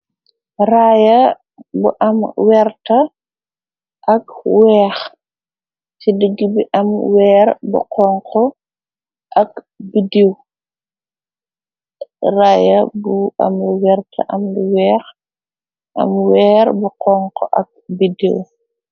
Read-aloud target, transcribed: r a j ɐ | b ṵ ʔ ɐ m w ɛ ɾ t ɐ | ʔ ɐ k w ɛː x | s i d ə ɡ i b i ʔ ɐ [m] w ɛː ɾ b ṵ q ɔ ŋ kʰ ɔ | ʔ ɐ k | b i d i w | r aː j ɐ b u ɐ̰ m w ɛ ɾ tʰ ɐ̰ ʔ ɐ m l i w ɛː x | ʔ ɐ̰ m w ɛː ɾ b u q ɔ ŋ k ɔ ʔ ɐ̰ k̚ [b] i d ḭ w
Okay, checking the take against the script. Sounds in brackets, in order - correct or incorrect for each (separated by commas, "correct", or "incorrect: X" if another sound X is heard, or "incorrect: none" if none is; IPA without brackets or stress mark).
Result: correct, correct